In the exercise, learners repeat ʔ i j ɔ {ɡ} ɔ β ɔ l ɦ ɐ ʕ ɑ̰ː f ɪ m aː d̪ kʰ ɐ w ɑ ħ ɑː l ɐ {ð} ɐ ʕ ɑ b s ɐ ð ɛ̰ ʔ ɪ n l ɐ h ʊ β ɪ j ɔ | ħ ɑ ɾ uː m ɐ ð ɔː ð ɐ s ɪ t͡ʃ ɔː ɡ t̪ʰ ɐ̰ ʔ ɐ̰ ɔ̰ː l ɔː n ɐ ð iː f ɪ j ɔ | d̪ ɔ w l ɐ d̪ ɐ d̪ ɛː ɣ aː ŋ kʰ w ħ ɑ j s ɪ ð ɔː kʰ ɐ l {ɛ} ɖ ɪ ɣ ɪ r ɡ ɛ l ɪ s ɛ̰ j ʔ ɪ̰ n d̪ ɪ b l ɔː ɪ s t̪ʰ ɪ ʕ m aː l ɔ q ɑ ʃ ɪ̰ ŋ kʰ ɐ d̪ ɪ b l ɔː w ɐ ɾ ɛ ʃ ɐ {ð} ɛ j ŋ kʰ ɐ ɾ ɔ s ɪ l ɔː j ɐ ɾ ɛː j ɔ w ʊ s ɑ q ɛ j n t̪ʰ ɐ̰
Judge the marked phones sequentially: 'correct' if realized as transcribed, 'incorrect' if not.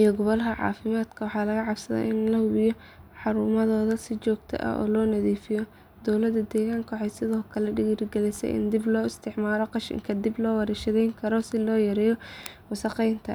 correct, incorrect: ɣ, correct, correct

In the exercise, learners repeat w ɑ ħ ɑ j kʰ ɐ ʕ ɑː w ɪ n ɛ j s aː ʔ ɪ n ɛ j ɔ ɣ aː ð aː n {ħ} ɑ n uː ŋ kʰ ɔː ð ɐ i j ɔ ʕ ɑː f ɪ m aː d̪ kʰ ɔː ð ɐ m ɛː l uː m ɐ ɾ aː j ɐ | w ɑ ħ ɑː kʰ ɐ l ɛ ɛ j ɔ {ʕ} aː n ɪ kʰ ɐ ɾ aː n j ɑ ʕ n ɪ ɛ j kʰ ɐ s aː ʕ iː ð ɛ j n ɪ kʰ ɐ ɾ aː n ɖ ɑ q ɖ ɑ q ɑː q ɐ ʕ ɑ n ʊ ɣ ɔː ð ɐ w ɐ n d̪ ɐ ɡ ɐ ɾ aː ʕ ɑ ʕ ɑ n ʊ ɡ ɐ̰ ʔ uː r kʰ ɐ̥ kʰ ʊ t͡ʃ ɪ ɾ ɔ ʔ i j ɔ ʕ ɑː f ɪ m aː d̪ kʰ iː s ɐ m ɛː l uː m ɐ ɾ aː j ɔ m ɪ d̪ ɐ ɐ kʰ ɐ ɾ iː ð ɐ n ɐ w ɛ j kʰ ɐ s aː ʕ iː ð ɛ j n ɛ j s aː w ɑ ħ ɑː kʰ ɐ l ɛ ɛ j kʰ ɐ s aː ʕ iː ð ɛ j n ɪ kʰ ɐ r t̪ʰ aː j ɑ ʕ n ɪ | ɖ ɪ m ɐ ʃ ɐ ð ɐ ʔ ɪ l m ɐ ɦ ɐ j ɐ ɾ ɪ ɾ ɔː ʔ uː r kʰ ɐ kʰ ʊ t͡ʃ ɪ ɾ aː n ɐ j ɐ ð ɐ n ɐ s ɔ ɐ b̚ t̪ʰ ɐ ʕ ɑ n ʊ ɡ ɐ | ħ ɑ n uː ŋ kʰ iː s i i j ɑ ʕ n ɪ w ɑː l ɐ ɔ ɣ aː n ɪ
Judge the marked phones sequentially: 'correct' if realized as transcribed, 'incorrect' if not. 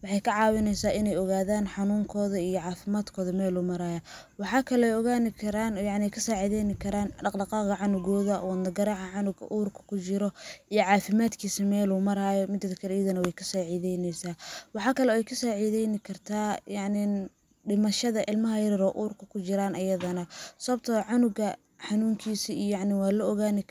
correct, incorrect: ɣ

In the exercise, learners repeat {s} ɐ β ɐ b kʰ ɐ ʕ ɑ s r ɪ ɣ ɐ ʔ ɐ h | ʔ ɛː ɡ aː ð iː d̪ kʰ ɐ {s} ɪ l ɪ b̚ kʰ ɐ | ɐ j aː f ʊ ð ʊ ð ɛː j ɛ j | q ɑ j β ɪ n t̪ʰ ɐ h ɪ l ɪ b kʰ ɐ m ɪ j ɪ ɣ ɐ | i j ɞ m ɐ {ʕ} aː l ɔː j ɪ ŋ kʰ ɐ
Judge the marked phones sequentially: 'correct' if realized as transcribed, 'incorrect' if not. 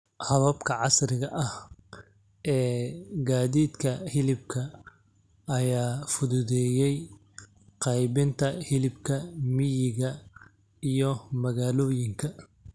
incorrect: h, incorrect: h, incorrect: ɣ

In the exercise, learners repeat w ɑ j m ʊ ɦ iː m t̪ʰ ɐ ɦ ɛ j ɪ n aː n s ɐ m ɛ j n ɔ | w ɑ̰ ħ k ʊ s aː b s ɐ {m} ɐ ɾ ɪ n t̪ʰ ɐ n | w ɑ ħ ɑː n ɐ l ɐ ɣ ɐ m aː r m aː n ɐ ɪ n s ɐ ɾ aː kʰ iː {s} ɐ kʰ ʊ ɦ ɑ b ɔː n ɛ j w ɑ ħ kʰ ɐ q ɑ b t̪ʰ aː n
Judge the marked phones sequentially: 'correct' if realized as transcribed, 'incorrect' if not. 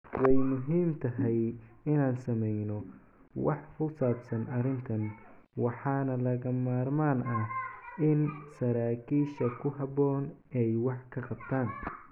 incorrect: n, incorrect: ʃ

